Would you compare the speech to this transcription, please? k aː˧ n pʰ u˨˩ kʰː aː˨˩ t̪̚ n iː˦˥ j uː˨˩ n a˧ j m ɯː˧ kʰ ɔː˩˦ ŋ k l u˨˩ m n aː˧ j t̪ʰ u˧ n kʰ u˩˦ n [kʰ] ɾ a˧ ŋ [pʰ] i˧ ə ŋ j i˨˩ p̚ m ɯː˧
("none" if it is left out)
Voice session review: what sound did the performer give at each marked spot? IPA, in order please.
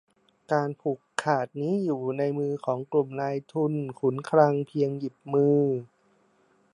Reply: kʰ, pʰ

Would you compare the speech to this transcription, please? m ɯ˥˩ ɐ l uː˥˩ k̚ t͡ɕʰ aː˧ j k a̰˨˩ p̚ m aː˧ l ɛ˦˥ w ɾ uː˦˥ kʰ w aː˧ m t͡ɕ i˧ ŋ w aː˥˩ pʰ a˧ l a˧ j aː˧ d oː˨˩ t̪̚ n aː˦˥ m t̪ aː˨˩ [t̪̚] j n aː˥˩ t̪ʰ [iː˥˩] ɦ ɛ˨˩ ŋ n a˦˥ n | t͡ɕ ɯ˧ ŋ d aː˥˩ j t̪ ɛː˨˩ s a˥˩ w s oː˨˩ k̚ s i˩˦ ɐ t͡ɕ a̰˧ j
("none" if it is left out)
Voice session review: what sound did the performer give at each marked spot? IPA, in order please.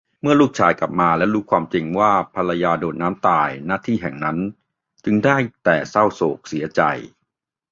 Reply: none, iː˥˩

